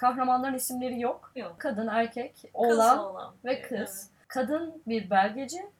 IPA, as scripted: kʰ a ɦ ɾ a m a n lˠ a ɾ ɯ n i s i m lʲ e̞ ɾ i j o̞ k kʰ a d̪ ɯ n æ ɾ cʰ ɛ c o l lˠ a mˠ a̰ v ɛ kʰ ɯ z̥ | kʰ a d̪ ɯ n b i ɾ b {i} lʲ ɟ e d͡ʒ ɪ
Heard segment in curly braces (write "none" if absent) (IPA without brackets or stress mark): æ